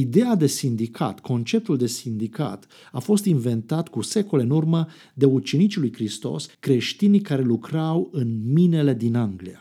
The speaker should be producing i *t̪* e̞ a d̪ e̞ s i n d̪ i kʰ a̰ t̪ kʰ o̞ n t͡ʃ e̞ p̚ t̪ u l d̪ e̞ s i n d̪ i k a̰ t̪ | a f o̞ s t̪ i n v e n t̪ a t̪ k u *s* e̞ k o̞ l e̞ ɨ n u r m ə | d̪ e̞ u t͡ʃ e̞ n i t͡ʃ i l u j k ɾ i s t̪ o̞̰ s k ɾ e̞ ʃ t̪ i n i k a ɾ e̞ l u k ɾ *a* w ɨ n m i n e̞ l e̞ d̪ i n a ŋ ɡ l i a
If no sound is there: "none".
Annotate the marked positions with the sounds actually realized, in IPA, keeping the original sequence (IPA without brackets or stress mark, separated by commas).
d̪, s, a